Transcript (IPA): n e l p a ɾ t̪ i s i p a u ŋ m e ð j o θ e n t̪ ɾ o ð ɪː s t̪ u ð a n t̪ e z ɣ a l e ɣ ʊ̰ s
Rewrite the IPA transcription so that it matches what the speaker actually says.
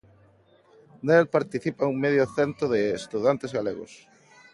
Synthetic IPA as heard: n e l p a ɾ t̪ i θ i p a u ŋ m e ð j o θ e n t̪ ɾ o ð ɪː s t̪ u ð a n t̪ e z ɣ a l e ɣ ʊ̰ s

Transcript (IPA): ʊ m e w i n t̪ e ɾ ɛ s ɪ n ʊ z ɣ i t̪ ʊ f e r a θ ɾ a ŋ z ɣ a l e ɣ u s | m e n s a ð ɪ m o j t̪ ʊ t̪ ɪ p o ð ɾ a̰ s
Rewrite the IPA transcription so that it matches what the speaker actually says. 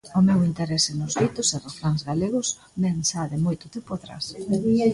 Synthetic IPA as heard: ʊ m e w i n t̪ e ɾ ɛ s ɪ n ʊ z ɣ i t̪ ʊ s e r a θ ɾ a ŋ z ɣ a l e ɣ ʊ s | m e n s a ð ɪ m o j t̪ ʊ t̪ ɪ p o ð ɾ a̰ s

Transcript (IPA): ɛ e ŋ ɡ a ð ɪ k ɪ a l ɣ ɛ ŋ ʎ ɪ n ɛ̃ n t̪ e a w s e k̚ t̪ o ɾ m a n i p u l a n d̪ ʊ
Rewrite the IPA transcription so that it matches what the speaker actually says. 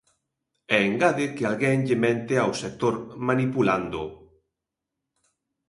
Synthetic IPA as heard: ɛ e ŋ ɡ a ð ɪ k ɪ a l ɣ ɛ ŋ ʎ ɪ m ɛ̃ n t̪ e a w s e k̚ t̪ o ɾ m a n i p u l a n d̪ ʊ

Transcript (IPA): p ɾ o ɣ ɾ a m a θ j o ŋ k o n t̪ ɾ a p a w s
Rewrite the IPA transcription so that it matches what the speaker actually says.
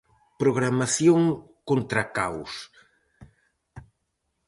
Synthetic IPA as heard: p ɾ o ɣ ɾ a m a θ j o ŋ k o n t̪ ɾ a k a w s

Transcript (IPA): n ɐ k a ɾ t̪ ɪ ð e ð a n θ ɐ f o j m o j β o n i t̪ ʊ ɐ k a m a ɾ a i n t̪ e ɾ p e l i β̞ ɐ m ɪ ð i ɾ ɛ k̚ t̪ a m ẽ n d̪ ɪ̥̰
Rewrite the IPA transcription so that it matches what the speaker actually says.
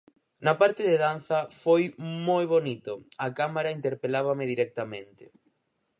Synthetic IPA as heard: n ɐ p a ɾ t̪ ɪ ð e ð a n θ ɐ f o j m o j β o n i t̪ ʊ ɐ k a m a ɾ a i n t̪ e ɾ p e l a β̞ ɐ m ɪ ð i ɾ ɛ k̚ t̪ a m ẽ n t̪ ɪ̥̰

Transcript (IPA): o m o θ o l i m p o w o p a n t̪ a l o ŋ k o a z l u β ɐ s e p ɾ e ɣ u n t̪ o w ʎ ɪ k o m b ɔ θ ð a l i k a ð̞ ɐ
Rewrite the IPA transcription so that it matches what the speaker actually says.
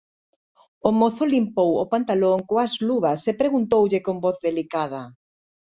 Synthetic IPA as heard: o m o θ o l i m p o w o p a n t̪ a l o ŋ k o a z l u β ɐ s e p ɾ e ɣ u n t̪ o w ʎ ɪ k o m b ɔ θ ð e l i k a ð̞ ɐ

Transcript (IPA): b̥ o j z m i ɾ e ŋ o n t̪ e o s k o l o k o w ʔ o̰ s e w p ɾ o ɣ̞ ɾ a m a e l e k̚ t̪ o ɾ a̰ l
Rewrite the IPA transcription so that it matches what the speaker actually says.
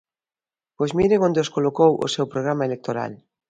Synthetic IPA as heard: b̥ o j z m i ɾ e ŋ o n d̪ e o s k o l o k o w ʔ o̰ s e w p ɾ o ɣ̞ ɾ a m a e l e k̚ t̪ o ɾ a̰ l

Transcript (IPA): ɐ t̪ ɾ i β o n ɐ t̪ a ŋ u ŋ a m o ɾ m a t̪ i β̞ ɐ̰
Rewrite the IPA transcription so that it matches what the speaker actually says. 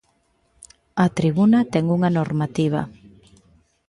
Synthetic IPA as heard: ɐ t̪ ɾ i β u n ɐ t̪ ɛ ŋ u ŋ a n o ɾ m a t̪ i β̞ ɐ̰

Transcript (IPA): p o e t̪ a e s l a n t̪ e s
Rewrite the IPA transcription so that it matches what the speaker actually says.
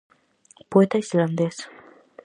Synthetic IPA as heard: p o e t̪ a i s l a n d̪ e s

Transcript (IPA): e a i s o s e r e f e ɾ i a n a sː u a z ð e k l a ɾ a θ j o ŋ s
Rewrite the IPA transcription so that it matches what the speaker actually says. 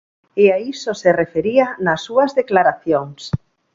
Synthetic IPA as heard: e a i s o s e r e f e ɾ i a n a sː u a z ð e k l a ɾ a θ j o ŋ s

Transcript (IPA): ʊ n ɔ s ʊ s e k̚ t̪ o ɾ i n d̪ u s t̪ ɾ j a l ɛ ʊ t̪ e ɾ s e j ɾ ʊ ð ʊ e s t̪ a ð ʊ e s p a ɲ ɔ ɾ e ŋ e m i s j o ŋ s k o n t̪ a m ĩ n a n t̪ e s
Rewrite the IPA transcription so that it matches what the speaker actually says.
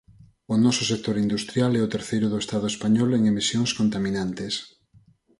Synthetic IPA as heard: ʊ n ɔ s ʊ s e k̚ t̪ o ɾ i n d̪ u s t̪ ɾ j a l ɛ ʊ t̪ e ɾ θ e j ɾ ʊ ð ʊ e s t̪ a ð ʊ e s p a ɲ ɔ l e ŋ e m i s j o ŋ s k o n t̪ a m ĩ n a n t̪ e s

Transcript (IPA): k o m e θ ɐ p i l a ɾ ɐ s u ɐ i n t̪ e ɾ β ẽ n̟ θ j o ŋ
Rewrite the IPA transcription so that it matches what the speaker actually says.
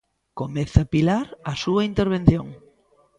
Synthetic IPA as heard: k o m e θ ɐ p i l a ɾ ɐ s u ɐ i n t̪ e ɾ β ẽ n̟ θ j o ŋ

